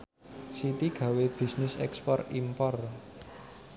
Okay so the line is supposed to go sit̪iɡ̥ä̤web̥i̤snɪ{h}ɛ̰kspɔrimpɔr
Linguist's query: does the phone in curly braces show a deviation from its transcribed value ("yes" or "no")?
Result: yes